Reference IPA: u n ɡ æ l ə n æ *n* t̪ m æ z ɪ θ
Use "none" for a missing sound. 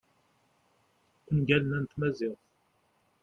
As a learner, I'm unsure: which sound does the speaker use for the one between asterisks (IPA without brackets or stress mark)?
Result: n